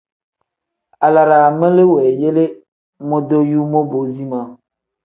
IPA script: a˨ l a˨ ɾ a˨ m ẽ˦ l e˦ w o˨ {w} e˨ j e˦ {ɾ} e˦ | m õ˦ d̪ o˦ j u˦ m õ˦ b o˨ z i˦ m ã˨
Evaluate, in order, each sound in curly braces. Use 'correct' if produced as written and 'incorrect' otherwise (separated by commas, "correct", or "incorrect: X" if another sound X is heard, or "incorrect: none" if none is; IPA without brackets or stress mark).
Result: incorrect: none, incorrect: l